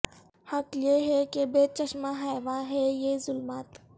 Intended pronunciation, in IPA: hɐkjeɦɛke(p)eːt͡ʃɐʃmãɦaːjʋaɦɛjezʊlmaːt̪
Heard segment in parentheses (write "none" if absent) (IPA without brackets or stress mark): b